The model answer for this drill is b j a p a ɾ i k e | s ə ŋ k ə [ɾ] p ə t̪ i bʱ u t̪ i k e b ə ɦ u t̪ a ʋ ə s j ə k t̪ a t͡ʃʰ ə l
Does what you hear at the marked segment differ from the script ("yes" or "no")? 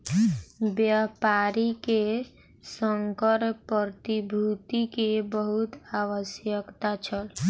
no